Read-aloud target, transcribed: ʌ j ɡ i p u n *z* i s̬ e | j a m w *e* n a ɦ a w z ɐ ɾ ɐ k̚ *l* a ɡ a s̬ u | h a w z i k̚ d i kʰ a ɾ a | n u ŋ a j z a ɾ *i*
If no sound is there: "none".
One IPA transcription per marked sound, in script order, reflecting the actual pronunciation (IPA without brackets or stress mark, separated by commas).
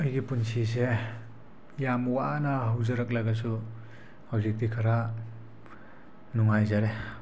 s, a, l, e